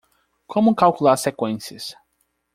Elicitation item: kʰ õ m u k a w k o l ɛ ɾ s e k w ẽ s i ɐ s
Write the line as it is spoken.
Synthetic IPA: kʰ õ m ʊ k a w k u l a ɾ s e k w ẽ s i ɐ s